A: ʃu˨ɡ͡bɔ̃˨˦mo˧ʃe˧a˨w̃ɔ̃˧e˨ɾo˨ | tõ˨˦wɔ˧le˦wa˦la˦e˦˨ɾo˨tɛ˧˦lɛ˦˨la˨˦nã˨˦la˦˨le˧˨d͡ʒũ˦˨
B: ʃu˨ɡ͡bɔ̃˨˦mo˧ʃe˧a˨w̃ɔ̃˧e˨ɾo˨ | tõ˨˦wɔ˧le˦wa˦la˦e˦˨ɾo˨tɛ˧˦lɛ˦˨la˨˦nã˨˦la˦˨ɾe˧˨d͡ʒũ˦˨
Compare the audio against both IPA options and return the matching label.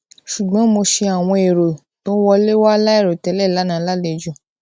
A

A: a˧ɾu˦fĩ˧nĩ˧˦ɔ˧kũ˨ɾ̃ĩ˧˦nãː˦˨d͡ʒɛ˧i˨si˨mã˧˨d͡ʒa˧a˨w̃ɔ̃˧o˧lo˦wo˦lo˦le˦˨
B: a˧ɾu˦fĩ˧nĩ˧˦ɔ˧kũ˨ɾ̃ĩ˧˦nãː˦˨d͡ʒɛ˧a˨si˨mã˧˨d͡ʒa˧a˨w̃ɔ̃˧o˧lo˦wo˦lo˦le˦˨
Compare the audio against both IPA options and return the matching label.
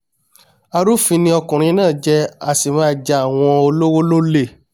B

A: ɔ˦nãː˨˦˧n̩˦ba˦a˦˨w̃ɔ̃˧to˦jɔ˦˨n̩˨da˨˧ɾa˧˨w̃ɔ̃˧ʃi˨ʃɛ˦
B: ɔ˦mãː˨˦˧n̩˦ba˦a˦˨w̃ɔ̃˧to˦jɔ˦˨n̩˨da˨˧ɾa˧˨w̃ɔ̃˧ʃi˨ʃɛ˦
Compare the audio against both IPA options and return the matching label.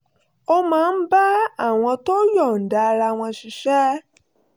B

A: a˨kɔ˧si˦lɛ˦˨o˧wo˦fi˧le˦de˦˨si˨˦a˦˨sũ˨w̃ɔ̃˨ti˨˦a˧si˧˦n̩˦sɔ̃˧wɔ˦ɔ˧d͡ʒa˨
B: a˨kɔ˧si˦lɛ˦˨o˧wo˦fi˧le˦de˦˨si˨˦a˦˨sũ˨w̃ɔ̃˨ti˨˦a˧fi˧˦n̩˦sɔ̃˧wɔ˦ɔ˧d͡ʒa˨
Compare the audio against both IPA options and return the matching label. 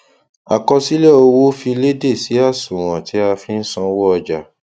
B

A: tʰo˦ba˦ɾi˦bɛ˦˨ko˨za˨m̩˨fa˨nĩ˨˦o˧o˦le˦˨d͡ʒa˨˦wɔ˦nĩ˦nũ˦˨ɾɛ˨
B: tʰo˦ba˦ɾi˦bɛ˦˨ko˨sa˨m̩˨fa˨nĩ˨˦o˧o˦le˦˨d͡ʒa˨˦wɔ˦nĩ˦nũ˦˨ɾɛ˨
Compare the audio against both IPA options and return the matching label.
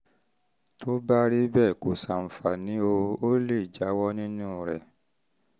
B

